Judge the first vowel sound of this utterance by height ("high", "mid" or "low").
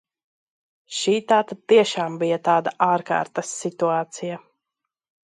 high